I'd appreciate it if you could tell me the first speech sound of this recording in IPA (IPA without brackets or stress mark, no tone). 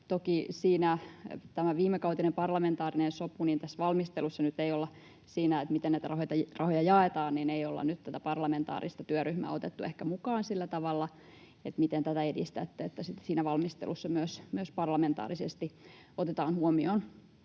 t̪